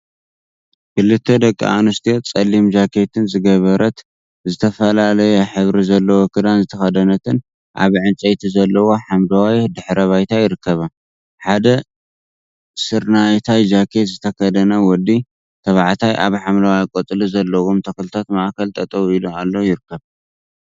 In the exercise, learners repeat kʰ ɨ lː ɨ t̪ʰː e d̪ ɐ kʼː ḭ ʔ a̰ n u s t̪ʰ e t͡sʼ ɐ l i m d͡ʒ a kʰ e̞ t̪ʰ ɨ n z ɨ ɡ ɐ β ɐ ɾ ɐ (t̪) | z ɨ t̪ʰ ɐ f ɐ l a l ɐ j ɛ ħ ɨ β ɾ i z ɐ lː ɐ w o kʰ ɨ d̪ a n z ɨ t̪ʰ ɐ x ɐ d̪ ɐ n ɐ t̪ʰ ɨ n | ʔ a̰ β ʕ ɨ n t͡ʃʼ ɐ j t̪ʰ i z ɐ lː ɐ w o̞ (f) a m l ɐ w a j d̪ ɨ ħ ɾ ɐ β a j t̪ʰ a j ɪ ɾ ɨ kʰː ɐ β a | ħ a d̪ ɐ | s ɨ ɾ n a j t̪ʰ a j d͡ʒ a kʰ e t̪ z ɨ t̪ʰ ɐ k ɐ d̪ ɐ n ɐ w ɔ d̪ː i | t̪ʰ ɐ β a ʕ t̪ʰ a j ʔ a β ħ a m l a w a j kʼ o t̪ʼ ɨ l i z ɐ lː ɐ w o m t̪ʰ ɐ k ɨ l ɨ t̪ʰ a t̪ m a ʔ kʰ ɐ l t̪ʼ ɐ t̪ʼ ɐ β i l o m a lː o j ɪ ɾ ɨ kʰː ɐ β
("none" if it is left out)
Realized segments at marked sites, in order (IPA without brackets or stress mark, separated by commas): t̪, ħ